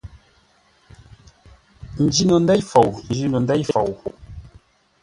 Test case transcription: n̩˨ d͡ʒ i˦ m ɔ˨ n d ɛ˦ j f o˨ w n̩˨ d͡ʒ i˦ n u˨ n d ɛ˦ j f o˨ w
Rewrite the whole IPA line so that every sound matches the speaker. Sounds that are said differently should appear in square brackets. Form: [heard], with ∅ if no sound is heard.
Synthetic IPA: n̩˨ d͡ʒ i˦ [n] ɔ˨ n d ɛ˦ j f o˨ w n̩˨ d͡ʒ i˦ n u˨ n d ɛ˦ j f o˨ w